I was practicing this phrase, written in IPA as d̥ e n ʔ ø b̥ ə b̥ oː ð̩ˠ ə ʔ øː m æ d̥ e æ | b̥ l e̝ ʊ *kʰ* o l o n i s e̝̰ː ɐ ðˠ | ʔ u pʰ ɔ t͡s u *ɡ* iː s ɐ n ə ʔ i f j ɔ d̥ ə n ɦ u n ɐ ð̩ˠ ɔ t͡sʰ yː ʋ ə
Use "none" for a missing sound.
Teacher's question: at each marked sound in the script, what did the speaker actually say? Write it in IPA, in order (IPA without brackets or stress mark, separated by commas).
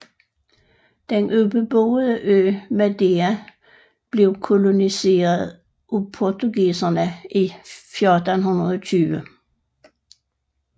kʰ, ɡ